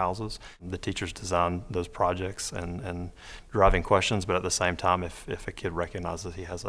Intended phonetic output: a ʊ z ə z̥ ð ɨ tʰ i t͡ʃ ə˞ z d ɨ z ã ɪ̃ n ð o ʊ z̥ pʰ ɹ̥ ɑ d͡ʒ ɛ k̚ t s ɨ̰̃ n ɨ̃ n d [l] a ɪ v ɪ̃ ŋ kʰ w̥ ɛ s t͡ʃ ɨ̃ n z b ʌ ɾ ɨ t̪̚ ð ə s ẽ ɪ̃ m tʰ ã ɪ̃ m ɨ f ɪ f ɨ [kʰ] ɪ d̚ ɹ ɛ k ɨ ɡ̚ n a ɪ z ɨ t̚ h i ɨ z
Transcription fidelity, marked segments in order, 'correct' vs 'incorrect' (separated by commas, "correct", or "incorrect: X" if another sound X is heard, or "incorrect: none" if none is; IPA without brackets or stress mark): incorrect: ɹ, correct